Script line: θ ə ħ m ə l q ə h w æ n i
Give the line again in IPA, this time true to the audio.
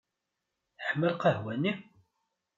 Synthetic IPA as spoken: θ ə ħ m ə l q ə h w æ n i